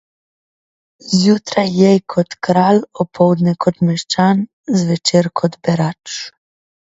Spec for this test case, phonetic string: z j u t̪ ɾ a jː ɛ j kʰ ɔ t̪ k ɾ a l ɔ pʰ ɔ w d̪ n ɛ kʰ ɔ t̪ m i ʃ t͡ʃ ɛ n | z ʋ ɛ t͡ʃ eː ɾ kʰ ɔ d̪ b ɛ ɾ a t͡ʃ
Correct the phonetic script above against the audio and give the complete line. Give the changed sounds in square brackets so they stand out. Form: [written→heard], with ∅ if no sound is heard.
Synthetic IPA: z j u t̪ ɾ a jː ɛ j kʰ ɔ t̪ k ɾ a l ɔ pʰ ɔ w d̪ n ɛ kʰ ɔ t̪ m [i→ɛ] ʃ t͡ʃ [ɛ→a] n | z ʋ ɛ t͡ʃ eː ɾ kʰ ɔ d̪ b ɛ ɾ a t͡ʃ